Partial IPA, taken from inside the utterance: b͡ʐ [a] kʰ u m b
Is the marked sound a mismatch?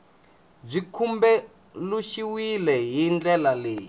yes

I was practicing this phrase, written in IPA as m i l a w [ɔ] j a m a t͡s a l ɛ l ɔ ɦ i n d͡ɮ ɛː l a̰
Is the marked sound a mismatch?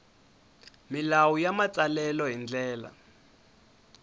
yes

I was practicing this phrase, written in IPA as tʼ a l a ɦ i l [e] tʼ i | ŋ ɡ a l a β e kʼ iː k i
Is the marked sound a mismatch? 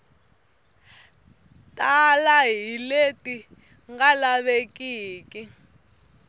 no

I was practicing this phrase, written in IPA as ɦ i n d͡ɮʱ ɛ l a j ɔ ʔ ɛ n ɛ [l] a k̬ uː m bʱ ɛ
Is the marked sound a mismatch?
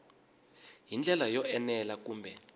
no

